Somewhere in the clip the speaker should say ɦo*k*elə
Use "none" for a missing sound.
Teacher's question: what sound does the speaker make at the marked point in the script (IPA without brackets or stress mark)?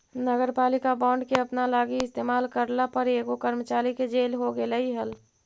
ɡ